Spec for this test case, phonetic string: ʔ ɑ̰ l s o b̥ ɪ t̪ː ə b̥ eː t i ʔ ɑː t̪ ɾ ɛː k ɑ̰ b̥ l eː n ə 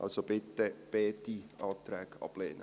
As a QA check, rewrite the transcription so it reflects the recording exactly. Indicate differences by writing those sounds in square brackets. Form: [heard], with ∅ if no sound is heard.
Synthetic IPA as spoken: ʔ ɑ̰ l s o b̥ ɪ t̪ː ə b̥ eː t i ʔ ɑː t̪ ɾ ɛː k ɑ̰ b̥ l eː n ə